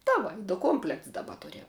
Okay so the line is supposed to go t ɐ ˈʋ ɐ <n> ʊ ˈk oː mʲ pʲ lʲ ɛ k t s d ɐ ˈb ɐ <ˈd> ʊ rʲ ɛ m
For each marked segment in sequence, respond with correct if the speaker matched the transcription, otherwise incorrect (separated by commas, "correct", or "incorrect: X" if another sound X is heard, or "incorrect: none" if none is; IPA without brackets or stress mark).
incorrect: d, incorrect: t